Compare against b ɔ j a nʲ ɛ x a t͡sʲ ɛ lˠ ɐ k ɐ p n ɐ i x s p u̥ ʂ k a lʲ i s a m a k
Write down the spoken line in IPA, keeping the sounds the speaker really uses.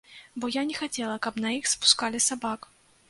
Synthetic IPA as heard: b ɔ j a nʲ ɛ x a t͡sʲ ɛ lˠ ɐ k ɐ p n ɐ i x s p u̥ s k a lʲ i s a b a k